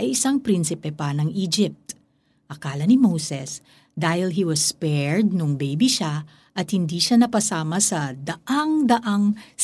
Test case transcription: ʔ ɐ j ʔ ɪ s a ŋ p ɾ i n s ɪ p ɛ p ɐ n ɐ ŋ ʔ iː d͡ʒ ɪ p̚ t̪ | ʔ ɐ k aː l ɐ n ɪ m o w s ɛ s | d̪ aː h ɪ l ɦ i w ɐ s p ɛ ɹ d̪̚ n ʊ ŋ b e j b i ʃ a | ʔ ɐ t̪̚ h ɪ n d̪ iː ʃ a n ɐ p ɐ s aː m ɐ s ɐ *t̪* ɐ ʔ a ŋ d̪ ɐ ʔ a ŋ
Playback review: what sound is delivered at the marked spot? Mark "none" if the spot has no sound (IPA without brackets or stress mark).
d̪